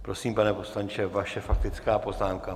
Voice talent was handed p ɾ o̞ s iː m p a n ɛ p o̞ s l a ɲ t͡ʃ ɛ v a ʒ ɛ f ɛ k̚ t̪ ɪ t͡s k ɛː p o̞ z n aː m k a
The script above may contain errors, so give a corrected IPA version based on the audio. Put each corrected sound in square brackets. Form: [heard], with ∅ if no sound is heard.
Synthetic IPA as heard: p ɾ o̞ s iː m p a n ɛ p o̞ s l a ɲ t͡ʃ ɛ v a [ʃ] ɛ f [a] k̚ t̪ ɪ t͡s k [aː] p o̞ z n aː m k a